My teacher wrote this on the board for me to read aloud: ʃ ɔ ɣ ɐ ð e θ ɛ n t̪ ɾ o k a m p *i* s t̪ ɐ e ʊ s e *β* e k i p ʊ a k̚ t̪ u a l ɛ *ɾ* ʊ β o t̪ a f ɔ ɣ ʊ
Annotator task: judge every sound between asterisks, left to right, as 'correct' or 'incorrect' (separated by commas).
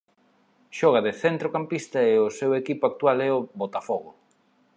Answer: correct, incorrect, incorrect